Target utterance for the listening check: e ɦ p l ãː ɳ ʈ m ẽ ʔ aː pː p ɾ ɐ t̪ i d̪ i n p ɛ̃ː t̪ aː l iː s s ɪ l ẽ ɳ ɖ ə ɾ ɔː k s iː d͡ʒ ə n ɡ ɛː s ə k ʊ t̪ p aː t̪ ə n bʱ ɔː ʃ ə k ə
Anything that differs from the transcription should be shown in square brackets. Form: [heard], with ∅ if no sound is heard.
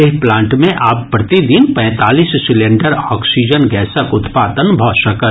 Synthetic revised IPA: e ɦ p l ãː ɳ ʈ m ẽ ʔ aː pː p ɾ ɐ t̪ i d̪ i n p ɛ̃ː t̪ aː l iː s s ɪ l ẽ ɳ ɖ ə ɾ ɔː k s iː d͡ʒ ə n ɡ ɛː s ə k ʊ t̪ p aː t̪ ə n bʱ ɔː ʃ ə k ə